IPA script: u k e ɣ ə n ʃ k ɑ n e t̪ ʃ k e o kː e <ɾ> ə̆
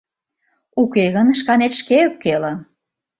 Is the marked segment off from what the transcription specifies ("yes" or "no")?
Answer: yes